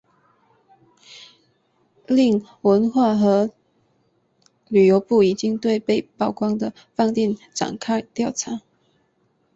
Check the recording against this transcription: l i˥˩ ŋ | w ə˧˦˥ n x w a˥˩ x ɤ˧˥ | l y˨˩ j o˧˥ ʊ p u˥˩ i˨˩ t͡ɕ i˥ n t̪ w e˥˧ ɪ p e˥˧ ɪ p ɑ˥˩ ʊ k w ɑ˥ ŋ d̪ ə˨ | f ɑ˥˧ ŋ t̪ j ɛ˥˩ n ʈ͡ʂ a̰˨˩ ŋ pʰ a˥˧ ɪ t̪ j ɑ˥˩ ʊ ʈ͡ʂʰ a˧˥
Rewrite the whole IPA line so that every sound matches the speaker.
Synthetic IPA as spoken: l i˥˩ ŋ | w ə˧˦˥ n x w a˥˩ x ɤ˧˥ | l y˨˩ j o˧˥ ʊ p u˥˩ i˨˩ t͡ɕ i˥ ŋ t̪ w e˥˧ ɪ p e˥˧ ɪ p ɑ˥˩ ʊ k w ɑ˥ ŋ d̪ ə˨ | f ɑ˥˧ ŋ t̪ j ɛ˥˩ n ʈ͡ʂ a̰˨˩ ŋ kʰ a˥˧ ɪ t̪ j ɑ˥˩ ʊ ʈ͡ʂʰ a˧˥